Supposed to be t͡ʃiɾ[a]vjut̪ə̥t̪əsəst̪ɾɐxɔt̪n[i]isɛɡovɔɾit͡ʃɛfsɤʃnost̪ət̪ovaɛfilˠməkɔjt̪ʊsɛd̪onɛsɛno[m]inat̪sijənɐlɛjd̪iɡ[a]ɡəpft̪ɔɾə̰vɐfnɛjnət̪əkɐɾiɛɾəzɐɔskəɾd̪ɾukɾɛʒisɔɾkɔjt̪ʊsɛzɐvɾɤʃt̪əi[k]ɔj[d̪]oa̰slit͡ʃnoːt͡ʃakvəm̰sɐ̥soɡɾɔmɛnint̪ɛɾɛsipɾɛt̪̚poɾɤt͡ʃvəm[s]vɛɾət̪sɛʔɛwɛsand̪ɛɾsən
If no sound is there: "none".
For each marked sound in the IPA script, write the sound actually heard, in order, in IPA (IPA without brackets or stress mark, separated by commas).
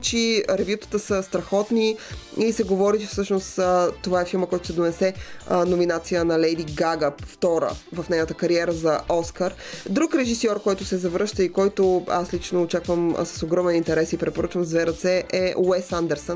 ɛ, i, m, a, k, t̪, z